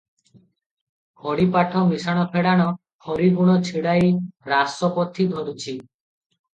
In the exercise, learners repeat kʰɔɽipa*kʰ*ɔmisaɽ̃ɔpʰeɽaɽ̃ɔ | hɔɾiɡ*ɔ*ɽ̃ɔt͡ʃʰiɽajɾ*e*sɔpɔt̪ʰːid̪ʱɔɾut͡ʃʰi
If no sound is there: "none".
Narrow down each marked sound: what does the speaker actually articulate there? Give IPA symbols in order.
ʈʰ, u, a

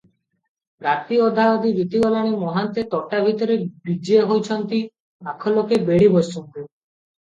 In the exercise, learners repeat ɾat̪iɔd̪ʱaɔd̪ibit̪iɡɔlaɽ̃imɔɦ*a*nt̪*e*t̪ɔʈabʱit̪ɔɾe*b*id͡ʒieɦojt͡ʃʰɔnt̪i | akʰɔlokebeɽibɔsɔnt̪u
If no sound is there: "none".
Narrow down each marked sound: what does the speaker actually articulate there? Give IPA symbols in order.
a, e, b

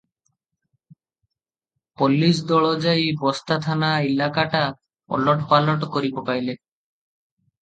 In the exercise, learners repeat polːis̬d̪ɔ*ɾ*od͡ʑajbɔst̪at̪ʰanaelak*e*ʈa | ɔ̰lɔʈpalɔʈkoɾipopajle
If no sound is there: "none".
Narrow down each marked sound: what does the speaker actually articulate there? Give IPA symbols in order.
ɭ, a

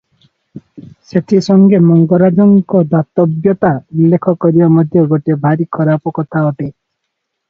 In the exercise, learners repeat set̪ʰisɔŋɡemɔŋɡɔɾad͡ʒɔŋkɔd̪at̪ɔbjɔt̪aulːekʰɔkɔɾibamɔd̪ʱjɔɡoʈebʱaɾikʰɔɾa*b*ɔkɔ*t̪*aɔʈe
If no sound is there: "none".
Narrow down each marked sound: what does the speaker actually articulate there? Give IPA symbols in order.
p, t̪ʰ

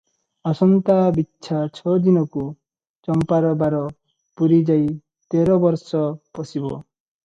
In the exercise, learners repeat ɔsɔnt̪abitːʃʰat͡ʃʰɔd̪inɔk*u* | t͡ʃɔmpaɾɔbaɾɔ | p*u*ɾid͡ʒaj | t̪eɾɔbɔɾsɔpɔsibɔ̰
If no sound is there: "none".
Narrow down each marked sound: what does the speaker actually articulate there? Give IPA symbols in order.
u, u

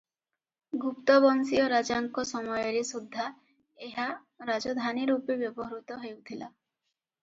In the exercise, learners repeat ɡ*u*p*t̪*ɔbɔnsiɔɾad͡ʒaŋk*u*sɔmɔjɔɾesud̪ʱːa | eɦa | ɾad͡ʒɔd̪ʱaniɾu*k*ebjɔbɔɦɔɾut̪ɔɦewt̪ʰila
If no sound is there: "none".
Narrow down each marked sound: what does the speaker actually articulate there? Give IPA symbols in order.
u, t̪, ɔ, p

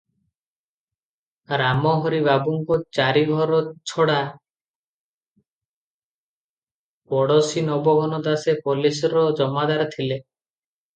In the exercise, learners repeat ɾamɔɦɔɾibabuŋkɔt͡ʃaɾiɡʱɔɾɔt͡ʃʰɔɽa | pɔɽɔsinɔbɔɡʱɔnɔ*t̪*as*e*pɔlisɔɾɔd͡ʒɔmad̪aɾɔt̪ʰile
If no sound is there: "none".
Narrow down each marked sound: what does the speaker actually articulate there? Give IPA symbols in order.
d̪, e

